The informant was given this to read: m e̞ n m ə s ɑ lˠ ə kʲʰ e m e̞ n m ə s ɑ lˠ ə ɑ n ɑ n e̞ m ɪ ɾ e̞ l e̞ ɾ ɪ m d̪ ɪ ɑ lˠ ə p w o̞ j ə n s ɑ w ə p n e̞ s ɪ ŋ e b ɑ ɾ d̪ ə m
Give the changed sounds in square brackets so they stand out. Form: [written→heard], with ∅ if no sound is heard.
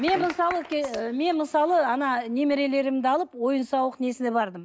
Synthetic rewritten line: m e̞ n m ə s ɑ lˠ ə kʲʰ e m e̞ n m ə s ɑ lˠ ə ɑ n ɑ n e̞ m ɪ ɾ e̞ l e̞ ɾ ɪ m d̪ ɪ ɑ lˠ ə p w o̞ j ə n s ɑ w ə [p→q] n e̞ s ɪ [ŋ→n] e b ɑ ɾ d̪ ə m

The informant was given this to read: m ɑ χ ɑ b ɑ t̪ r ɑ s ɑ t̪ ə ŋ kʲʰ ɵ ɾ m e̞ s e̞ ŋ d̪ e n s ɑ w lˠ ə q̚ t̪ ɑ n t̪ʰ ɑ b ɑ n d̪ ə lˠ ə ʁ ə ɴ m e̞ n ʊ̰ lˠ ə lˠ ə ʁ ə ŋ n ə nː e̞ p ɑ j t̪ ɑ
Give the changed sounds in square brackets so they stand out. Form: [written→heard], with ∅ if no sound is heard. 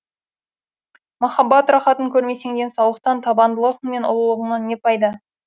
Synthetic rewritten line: m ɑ χ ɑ b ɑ t̪ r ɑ [s→χ] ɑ t̪ ə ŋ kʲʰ ɵ ɾ m e̞ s e̞ ŋ d̪ e n s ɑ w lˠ ə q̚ t̪ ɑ n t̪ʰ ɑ b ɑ n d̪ ə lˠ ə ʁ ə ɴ m e̞ n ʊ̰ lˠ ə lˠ ə ʁ ə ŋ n [ə→ɑ] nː e̞ p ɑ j [t̪→d̪] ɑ

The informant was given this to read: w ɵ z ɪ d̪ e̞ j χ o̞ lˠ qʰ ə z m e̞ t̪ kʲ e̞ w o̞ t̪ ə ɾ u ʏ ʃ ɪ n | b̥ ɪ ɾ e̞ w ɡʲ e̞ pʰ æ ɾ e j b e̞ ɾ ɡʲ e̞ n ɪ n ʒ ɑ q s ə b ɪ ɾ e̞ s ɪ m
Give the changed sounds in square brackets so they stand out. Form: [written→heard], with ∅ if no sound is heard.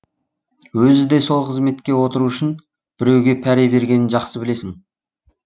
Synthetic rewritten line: w ɵ z ɪ d̪ e̞ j [χ→s] o̞ lˠ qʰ ə z m e̞ t̪ kʲ e̞ w o̞ t̪ ə ɾ u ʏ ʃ ɪ n | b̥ ɪ ɾ e̞ w ɡʲ e̞ pʰ æ ɾ e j b e̞ ɾ ɡʲ e̞ n ɪ n ʒ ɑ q s ə b ɪ [ɾ→l] e̞ s ɪ [m→ŋ]

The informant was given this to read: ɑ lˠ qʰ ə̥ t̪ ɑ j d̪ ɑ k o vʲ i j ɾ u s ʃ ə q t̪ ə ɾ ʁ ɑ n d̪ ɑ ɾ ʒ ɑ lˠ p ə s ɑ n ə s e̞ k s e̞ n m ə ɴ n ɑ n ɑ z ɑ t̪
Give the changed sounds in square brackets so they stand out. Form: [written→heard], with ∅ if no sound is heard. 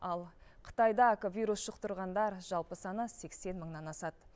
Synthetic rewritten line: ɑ lˠ qʰ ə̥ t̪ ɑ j d̪ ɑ k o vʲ i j ɾ u s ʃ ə q t̪ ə ɾ ʁ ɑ n d̪ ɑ ɾ ʒ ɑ lˠ p ə s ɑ n ə s e̞ k s e̞ n m ə ɴ n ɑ n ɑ [z→s] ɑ t̪

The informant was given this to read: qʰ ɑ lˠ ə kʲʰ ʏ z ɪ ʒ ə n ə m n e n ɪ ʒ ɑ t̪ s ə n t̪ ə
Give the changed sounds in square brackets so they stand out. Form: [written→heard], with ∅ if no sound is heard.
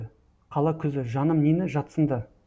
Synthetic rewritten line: qʰ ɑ lˠ [ə→ɑ] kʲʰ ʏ z ɪ ʒ [ə→ɑ] n ə m n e n ɪ ʒ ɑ t̪ s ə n [t̪→d̪] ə

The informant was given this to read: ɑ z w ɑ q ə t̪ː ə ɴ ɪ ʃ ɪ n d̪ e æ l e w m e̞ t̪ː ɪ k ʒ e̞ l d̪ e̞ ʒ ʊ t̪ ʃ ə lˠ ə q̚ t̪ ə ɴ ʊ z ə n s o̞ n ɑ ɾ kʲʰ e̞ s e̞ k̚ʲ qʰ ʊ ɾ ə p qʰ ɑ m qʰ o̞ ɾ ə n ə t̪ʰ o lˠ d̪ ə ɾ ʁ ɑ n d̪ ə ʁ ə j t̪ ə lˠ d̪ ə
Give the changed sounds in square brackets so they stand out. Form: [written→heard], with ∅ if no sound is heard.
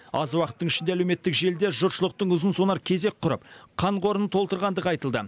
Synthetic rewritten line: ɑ z w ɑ q ə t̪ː ə ɴ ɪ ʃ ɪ n d̪ e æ l e w m e̞ t̪ː ɪ k ʒ e̞ l d̪ e̞ ʒ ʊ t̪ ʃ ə lˠ ə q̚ t̪ ə ɴ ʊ z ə n s o̞ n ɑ ɾ kʲʰ e̞ [s→z] e̞ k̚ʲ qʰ ʊ ɾ ə p qʰ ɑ [m→ɴ] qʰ o̞ ɾ ə n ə t̪ʰ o lˠ [d̪→t̪] ə ɾ ʁ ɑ n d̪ ə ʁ [ə→ɑ] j t̪ ə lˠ d̪ ə

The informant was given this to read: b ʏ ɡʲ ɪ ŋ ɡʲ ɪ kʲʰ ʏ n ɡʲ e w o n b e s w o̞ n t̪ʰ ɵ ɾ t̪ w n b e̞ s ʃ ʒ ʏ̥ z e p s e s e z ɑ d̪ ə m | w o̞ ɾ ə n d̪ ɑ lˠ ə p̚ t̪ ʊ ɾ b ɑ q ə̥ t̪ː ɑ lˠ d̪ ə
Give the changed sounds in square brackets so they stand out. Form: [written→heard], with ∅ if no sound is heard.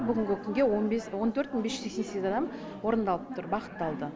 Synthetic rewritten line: b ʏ ɡʲ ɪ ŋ ɡʲ ɪ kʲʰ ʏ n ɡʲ e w o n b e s w o̞ n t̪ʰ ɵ ɾ t̪ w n b e̞ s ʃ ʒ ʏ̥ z e [p→k] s e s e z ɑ d̪ [ə→ɑ] m | w o̞ ɾ ə n d̪ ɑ lˠ ə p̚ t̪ ʊ ɾ b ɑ q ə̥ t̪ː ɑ lˠ d̪ ə

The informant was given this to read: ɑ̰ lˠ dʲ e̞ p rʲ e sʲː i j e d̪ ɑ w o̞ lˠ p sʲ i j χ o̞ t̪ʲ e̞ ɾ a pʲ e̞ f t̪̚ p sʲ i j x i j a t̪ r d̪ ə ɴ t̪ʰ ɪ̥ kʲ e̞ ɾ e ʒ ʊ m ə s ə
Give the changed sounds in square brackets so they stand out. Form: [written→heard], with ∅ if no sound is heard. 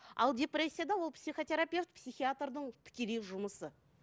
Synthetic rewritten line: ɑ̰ lˠ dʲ e̞ p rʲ e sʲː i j [e→a] d̪ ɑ w o̞ lˠ p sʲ i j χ o̞ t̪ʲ e̞ ɾ a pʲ e̞ f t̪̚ p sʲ i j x i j a t̪ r d̪ ə ɴ t̪ʰ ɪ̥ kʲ e̞ [ɾ→l] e ʒ ʊ m ə s ə

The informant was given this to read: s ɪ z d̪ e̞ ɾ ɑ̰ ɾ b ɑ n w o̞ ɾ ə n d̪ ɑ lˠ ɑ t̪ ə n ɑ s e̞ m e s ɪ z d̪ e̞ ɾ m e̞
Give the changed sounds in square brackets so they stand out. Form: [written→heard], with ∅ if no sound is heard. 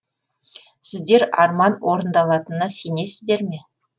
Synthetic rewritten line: s ɪ z d̪ e̞ ɾ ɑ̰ ɾ [b→m] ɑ n w o̞ ɾ ə n d̪ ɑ lˠ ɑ t̪ ə n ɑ s e̞ [m→n] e s ɪ z d̪ e̞ ɾ m e̞

